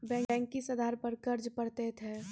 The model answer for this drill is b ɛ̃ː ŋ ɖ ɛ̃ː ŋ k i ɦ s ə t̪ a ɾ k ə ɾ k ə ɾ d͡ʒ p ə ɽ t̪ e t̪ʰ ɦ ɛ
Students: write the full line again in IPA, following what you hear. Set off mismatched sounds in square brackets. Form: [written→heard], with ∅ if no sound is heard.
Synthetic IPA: b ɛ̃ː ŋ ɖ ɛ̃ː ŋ k i [ɦ→∅] s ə [t̪→d̪] a ɾ [k→p] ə ɾ k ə ɾ d͡ʒ p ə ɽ t̪ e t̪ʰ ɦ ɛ